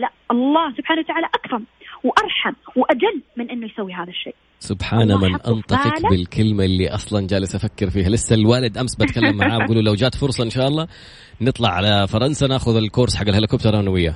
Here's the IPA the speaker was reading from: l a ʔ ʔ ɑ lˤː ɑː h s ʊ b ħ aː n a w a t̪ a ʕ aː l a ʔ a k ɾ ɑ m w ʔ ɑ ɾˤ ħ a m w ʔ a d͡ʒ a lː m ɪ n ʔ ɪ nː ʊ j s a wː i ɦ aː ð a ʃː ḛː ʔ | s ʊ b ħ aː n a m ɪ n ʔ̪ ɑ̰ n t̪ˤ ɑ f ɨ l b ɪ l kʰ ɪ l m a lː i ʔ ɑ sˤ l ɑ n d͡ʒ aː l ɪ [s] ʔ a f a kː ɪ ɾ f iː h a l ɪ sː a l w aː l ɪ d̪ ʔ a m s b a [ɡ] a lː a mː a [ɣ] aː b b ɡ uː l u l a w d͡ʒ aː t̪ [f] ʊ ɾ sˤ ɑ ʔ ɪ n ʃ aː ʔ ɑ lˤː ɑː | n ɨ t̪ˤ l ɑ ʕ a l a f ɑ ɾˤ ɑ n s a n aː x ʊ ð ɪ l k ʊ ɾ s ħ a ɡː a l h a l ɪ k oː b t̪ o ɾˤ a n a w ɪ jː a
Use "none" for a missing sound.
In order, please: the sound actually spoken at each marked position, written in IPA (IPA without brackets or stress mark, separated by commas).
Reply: s, k, ʕ, f